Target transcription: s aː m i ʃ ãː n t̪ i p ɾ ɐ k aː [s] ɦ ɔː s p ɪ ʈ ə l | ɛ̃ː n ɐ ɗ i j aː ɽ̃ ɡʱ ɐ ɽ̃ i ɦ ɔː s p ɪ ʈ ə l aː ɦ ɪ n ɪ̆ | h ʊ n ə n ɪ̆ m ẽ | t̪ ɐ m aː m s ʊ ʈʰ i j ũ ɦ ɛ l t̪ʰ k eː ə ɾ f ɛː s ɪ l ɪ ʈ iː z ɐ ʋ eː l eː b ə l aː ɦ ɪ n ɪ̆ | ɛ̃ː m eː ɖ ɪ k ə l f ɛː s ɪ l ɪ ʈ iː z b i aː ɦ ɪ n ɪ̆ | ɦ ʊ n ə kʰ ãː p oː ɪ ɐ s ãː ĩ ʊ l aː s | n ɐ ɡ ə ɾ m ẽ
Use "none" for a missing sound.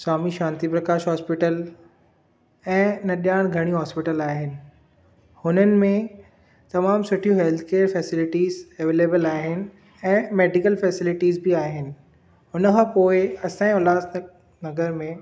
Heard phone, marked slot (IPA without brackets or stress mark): ʃ